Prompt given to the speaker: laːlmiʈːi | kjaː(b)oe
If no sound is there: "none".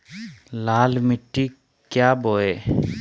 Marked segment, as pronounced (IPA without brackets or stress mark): b